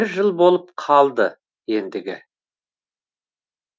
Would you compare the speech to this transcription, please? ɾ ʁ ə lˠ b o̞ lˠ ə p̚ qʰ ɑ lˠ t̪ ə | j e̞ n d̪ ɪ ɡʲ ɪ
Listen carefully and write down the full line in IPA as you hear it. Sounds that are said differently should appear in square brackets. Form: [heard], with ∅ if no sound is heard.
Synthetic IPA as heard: ɾ [ʒ] ə lˠ b o̞ lˠ ə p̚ qʰ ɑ lˠ [d̪] ə | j e̞ n d̪ ɪ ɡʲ ɪ